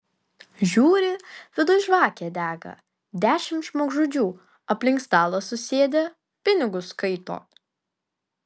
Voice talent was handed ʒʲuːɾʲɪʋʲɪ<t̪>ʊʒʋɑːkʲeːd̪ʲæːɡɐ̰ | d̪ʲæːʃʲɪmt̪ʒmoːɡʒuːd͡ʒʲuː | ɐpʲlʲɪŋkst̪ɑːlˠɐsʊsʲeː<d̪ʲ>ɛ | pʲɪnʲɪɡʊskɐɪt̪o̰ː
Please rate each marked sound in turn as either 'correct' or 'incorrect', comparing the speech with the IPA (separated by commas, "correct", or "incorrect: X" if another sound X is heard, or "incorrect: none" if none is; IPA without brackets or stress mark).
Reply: incorrect: d̪, correct